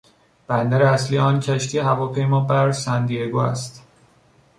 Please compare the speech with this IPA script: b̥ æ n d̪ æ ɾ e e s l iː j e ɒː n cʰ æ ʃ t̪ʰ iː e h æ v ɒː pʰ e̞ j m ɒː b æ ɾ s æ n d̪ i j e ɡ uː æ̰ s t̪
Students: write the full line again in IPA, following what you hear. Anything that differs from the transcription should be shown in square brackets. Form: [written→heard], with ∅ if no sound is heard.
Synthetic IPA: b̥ æ n d̪ æ ɾ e [e→æ] s l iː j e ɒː n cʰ æ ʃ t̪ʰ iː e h æ v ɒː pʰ e̞ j m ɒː b æ ɾ s æ n d̪ i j e ɡ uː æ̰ s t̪